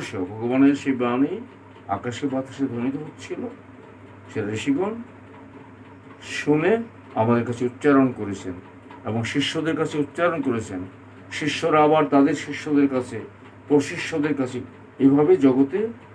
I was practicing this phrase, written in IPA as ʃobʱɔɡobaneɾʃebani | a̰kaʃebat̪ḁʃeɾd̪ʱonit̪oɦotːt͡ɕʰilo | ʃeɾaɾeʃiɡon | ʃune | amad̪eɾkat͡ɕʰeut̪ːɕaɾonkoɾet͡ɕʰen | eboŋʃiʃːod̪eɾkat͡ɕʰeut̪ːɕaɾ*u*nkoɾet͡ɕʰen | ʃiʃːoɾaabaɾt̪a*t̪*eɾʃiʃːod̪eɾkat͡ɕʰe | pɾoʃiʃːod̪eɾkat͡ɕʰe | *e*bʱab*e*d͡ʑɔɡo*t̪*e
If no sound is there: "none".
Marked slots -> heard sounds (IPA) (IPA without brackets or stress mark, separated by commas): o, d̪, e, e, t̪